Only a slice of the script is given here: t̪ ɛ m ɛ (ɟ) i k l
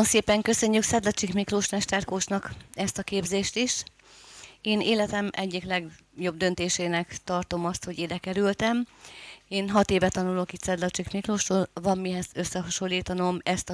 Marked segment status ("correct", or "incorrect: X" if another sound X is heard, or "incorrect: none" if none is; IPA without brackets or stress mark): incorrect: ɟː